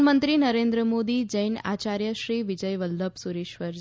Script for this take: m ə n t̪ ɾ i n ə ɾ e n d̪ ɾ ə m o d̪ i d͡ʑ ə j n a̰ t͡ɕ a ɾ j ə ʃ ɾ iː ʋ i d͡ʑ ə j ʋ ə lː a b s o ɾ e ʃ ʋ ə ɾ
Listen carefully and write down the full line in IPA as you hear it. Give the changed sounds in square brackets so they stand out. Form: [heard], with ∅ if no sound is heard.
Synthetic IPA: m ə n t̪ ɾ i n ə ɾ e n d̪ ɾ ə m o d̪ i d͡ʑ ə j n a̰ t͡ɕ a ɾ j ə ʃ ɾ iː ʋ i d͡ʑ ə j ʋ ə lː [ə] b s [u] ɾ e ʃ ʋ ə ɾ